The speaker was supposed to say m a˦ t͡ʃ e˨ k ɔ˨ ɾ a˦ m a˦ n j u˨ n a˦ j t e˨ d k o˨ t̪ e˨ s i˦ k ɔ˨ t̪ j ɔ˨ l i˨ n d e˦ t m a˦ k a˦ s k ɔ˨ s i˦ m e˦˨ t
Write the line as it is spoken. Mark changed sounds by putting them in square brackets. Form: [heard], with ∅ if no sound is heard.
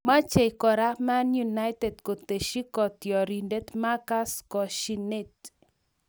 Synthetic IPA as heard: m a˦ t͡ʃ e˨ k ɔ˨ ɾ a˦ m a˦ n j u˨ n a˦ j t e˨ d k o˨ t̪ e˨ [ʃ] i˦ k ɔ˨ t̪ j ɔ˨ [ɾ] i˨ n d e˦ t m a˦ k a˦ s k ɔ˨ [ʃ] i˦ [n] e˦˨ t